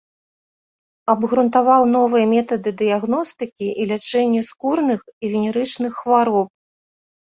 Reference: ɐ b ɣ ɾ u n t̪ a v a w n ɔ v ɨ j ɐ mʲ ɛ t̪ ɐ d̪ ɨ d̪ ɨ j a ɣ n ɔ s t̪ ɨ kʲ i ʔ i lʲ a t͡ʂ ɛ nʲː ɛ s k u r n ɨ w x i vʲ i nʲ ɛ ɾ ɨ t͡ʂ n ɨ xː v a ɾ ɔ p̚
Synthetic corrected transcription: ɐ b ɣ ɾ u n t̪ a v a w n ɔ v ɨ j ɐ mʲ ɛ t̪ ɐ d̪ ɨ d̪ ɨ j a ɣ n ɔ s t̪ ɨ kʲ i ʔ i lʲ a t͡ʂ ɛ nʲː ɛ s k u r n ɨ x i vʲ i nʲ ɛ ɾ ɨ t͡ʂ n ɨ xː v a ɾ ɔ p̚